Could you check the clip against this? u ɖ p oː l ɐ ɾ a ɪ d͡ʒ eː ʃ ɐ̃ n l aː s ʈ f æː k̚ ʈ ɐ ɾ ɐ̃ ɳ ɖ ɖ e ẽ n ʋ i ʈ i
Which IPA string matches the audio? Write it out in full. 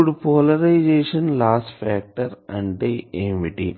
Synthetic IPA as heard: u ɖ p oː l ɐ ɾ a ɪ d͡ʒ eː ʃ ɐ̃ n l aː s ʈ f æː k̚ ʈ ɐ ɾ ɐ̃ ɳ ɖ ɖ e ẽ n ʋ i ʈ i